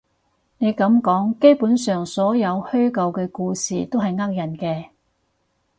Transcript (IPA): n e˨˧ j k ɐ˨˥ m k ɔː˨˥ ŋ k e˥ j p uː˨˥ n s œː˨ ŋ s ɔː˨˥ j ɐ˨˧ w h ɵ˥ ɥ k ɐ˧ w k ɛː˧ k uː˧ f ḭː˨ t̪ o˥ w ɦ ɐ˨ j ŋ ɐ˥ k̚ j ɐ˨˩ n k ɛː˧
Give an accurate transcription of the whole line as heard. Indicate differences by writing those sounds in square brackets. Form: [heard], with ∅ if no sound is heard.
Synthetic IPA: n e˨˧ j k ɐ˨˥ m k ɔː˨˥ ŋ k e˥ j p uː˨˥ n s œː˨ ŋ s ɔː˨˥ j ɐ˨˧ w h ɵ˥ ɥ k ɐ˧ w k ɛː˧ k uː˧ [s] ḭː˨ t̪ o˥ w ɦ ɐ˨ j ŋ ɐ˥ k̚ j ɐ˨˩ n k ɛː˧

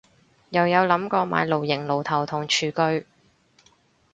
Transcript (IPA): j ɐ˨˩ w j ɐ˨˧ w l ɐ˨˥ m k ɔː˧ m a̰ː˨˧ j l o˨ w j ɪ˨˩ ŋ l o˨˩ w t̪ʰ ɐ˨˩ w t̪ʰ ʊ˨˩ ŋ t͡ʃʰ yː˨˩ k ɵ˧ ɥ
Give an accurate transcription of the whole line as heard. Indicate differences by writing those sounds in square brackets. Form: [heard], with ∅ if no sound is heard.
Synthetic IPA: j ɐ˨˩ w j ɐ˨˧ w l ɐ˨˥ m k ɔː˧ m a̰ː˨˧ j l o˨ w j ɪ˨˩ ŋ l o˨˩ w t̪ʰ ɐ˨˩ w t̪ʰ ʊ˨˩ ŋ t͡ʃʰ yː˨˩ k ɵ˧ ɥ

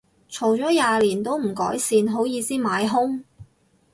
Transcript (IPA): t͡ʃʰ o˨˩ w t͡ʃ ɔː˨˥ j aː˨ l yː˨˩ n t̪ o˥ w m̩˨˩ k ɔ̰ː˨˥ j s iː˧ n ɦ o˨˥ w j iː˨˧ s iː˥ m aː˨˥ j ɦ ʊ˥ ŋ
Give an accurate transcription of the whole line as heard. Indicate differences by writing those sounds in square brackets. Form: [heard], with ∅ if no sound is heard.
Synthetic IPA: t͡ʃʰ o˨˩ w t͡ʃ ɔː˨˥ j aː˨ l [iː˨˩] n t̪ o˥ w m̩˨˩ k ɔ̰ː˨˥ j s iː˧ n ɦ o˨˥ w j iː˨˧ s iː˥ m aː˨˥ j ɦ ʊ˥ ŋ

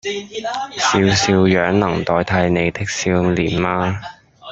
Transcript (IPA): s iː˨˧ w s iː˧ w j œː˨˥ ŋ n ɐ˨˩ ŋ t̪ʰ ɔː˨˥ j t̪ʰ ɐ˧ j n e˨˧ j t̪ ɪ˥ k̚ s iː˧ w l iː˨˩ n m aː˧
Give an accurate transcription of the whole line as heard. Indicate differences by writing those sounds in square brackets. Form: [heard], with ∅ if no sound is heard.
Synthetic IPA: s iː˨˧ w s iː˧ w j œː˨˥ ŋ n ɐ˨˩ ŋ [t̪] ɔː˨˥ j t̪ʰ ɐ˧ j n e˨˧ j t̪ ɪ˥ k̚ s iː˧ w l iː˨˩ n m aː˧

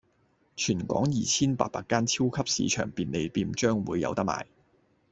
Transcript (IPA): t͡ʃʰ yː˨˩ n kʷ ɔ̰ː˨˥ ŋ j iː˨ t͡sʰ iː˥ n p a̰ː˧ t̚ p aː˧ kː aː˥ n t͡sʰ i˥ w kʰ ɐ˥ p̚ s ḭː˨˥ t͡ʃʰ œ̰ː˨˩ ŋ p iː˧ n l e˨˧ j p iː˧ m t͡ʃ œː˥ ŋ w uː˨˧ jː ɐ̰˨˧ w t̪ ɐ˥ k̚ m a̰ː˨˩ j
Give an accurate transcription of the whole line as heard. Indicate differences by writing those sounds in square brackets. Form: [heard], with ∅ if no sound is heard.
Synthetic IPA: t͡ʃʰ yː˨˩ n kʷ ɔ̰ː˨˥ ŋ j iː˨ t͡sʰ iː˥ n p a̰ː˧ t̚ p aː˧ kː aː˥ n t͡sʰ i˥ w kʰ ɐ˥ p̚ s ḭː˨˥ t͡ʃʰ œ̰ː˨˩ ŋ p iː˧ n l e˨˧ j p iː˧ m t͡ʃ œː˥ ŋ w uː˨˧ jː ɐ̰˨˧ w t̪ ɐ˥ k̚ m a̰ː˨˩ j

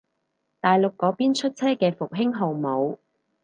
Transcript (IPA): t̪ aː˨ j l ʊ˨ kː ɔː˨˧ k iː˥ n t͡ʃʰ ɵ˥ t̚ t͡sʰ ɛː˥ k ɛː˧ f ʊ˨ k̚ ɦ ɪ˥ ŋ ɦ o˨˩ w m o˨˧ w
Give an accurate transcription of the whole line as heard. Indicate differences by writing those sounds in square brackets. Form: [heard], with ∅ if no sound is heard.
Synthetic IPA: t̪ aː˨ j l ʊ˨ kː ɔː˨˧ [p] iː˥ n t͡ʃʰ ɵ˥ t̚ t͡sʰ ɛː˥ k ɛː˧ f ʊ˨ k̚ ɦ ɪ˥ ŋ ɦ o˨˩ w m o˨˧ w

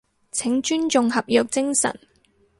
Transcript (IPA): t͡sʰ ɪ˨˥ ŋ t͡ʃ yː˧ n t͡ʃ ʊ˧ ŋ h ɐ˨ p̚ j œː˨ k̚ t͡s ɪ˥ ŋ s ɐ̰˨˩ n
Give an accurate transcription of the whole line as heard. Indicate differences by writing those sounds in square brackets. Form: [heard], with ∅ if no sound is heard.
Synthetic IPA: t͡sʰ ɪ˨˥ ŋ t͡ʃ [yː˥] n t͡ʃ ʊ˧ ŋ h ɐ˨ p̚ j œː˨ k̚ t͡s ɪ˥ ŋ s ɐ̰˨˩ n

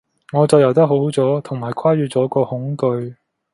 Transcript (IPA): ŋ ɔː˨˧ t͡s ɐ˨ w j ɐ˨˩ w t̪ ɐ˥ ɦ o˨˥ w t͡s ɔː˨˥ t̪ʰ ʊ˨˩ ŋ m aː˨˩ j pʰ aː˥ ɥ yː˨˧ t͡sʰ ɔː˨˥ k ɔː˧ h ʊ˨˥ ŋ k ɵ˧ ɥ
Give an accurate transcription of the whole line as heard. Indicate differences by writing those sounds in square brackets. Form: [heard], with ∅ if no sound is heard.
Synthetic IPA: ŋ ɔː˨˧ t͡s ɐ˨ w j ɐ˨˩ w t̪ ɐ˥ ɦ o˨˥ w t͡s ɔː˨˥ t̪ʰ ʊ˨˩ ŋ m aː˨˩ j [kʰ] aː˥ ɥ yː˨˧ [t͡s] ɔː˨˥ k ɔː˧ h ʊ˨˥ ŋ k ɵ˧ ɥ

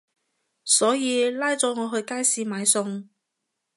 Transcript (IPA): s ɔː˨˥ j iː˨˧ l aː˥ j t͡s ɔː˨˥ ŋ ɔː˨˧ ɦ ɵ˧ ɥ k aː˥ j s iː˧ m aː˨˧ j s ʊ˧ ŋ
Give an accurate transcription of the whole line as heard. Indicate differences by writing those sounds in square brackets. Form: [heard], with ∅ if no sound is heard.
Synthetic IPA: s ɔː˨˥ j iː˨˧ l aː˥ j t͡s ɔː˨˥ ŋ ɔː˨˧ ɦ ɵ˧ ɥ k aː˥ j s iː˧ m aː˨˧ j s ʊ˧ ŋ

